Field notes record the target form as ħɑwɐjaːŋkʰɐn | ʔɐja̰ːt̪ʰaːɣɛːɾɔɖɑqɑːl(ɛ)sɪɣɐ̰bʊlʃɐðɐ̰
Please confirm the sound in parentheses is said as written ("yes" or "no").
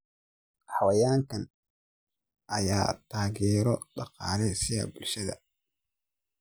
yes